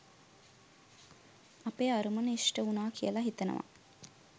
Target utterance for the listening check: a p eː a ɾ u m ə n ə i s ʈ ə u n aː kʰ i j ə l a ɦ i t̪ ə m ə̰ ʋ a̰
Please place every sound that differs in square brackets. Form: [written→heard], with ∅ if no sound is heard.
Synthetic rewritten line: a p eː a ɾ u m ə n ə i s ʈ ə u n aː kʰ i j ə l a ɦ i t̪ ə [m→n] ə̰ ʋ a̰

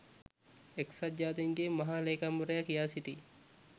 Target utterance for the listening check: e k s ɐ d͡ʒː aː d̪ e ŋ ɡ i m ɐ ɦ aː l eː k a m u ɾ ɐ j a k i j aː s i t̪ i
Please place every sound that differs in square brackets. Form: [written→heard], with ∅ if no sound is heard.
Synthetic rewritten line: e k s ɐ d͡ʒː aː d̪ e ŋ ɡ [i→e] m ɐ ɦ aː l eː k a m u ɾ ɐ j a k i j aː s i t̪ i

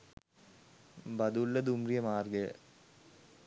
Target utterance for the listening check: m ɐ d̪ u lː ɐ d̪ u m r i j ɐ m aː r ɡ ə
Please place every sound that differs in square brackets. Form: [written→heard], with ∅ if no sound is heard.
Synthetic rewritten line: [m→b] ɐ d̪ u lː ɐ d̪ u m r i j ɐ m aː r ɡ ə

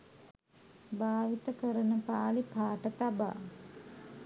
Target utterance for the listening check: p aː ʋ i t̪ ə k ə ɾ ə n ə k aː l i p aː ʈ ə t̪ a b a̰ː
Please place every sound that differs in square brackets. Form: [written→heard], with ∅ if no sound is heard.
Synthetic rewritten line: [p→b] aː ʋ i t̪ ə k ə ɾ ə n ə [k→p] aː l i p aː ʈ ə t̪ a b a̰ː

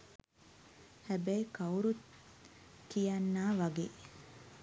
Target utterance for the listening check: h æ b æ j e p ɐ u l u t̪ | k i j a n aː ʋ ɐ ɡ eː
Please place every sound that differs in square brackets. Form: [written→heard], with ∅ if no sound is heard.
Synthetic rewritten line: h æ b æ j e [p→k] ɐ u [l→ɾ] u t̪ | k i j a [n→nː] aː ʋ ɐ ɡ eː

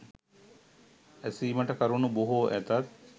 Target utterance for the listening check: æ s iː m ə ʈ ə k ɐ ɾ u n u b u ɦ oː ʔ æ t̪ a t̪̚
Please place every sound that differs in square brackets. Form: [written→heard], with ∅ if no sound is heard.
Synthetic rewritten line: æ s iː m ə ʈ ə k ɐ ɾ u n u b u ɦ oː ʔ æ t̪ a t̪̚

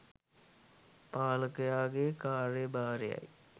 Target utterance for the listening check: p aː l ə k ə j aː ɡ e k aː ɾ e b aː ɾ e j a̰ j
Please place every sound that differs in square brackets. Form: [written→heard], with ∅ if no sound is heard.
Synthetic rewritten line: p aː l ə k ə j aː ɡ e k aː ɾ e b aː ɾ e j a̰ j

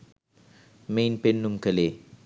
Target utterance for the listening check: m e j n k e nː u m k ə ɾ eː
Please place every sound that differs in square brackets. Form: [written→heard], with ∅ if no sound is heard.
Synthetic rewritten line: m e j n [k→p] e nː u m k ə [ɾ→l] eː

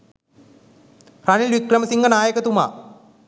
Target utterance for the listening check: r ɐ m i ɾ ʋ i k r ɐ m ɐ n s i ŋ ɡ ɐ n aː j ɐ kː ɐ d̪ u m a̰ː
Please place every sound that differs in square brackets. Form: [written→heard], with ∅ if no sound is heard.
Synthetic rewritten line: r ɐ [m→n] i [ɾ→l] ʋ i k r ɐ m ɐ [n→∅] s i ŋ ɡ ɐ n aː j ɐ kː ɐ [d̪→t̪] u m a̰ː

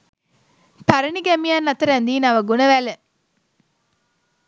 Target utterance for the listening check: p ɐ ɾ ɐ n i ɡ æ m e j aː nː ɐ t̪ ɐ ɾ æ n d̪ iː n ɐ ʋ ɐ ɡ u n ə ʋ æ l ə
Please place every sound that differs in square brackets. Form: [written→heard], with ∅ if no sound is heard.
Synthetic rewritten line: p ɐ ɾ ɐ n i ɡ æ m [e→i] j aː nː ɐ t̪ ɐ ɾ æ n d̪ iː n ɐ ʋ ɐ ɡ u n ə ʋ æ l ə

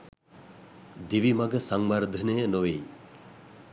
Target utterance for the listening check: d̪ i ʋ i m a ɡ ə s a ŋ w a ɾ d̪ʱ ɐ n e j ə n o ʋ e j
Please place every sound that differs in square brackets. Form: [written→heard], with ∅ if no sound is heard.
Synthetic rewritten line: d̪ i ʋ i m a ɡ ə s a ŋ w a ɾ d̪ʱ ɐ n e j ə n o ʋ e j

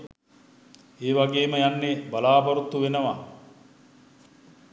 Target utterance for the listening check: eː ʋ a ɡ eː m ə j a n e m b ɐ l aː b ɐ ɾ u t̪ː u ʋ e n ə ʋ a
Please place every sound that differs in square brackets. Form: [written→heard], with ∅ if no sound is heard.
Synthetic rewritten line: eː ʋ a ɡ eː m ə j a [n→nː] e [m→∅] b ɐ l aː b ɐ ɾ u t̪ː u ʋ e n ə ʋ a

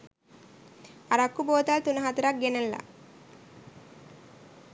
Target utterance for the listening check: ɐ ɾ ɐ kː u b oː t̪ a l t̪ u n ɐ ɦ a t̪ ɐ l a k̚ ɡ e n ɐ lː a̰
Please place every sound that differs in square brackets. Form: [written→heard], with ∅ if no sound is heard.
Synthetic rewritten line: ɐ ɾ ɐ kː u b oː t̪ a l t̪ u n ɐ ɦ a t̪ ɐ [l→ɾ] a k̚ ɡ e n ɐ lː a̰

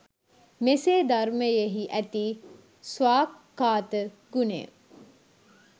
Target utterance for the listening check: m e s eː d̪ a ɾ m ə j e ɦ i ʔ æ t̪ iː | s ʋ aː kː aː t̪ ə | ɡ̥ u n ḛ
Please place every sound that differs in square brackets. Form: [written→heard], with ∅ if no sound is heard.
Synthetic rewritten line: m e s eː d̪ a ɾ m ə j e ɦ i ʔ æ t̪ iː | s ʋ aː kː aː t̪ ə | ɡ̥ u n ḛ

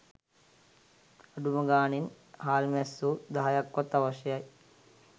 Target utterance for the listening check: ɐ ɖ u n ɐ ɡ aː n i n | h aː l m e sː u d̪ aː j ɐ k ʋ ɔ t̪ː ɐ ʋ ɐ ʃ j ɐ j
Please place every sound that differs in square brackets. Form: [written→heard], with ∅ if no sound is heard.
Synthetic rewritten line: ɐ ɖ u [n→m] ɐ ɡ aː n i n | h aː l m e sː u d̪ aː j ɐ k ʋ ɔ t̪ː ɐ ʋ ɐ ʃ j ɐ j

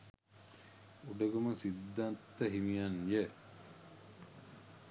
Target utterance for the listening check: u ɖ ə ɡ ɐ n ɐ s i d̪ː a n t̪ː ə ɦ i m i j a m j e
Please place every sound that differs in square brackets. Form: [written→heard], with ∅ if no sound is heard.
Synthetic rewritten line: u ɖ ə ɡ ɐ [n→m] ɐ s i d̪ː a n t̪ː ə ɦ i m i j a [m→n] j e

